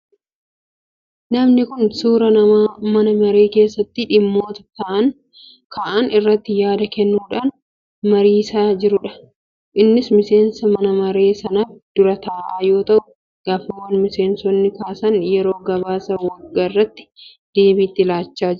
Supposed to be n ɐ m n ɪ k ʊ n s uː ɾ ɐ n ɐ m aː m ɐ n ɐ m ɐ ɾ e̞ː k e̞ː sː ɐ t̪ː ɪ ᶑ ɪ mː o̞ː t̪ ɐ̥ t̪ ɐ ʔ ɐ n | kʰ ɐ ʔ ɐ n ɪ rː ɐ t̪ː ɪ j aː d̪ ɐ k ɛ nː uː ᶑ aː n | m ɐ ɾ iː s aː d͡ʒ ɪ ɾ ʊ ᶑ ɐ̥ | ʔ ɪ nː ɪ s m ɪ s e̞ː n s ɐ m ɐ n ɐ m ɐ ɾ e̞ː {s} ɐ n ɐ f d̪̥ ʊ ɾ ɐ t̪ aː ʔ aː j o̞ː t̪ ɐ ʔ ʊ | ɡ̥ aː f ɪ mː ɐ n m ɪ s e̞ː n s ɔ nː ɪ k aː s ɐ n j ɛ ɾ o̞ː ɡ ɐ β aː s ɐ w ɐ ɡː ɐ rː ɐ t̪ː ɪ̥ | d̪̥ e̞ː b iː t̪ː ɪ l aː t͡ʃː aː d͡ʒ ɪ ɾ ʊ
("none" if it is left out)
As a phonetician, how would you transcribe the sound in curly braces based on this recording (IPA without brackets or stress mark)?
s